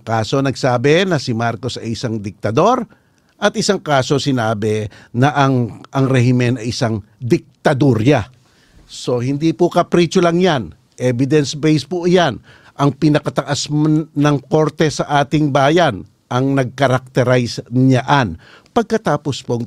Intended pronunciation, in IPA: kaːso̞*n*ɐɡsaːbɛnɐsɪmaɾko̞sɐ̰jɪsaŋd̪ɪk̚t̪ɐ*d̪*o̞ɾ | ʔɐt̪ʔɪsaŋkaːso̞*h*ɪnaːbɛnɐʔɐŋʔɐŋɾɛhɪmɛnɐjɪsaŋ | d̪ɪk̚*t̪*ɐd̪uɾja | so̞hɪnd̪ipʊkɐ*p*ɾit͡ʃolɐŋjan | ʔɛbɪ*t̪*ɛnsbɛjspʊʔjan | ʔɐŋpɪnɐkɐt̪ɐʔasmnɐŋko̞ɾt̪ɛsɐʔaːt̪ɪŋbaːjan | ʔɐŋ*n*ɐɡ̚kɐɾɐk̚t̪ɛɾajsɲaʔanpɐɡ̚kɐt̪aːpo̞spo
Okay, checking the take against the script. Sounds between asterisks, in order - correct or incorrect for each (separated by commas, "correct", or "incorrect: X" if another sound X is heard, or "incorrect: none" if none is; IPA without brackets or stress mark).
correct, correct, incorrect: s, correct, correct, incorrect: d̪, correct